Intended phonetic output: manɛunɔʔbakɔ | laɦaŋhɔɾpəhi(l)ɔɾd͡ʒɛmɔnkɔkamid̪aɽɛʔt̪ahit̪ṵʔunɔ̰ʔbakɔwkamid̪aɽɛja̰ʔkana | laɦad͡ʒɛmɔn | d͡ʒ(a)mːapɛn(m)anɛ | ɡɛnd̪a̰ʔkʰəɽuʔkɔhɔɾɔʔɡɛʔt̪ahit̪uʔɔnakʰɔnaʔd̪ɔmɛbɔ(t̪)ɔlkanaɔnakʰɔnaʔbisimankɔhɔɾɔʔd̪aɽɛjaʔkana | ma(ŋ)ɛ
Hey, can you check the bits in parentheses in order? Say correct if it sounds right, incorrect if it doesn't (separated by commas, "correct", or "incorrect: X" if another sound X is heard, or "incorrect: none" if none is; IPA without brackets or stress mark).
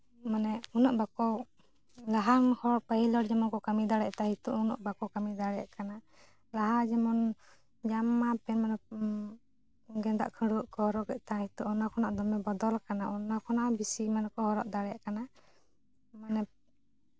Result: correct, correct, correct, incorrect: d̪, incorrect: n